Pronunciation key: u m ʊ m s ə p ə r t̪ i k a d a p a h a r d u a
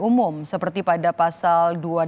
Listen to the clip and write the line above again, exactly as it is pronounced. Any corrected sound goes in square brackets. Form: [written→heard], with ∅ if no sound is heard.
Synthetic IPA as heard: u m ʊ m s ə p ə r t̪ i [k→p] a d a p a [h→s] a [r→l] d u a